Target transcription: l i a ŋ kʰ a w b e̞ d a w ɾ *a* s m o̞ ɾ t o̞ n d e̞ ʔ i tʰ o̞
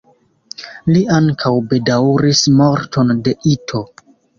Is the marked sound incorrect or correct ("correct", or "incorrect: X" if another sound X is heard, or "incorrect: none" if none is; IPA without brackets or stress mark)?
incorrect: i